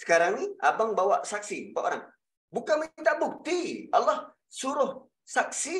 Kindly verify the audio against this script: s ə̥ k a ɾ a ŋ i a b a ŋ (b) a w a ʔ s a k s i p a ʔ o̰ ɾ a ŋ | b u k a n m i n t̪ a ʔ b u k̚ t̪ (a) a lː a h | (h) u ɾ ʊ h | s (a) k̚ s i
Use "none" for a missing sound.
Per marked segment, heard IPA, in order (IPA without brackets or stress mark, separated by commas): b, i, s, a